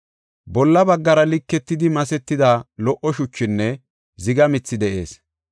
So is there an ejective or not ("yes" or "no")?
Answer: no